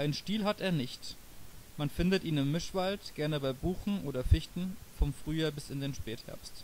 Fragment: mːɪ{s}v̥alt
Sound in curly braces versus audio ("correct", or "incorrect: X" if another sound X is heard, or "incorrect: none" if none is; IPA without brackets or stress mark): incorrect: ʃ